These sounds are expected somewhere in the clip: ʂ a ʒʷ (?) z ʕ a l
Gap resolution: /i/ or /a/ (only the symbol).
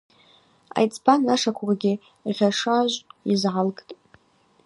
i